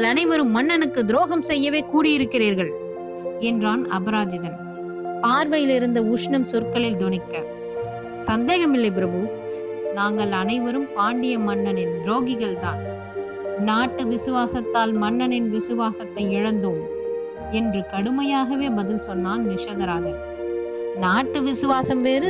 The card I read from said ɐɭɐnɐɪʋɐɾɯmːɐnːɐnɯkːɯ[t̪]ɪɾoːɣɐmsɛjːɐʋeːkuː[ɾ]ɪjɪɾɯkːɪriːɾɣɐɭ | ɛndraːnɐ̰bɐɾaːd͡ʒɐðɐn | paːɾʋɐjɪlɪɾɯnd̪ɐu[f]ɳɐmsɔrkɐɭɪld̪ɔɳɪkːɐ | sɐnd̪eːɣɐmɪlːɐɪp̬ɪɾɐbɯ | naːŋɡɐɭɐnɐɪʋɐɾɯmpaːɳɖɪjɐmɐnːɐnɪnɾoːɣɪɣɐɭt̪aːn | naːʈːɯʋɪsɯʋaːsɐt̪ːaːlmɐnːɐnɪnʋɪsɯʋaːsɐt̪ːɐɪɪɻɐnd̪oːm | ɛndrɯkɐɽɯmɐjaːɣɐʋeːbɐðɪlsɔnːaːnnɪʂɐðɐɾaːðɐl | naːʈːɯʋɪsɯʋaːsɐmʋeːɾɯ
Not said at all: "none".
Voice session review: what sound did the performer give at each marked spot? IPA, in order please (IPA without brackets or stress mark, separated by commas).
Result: d̪, ɽ, ʂ